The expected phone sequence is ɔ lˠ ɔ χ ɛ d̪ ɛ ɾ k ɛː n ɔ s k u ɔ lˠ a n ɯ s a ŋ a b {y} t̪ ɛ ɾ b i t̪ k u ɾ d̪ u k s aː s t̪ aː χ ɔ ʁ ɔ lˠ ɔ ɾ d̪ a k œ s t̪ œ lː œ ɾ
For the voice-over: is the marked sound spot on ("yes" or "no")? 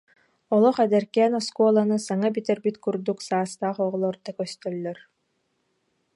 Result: no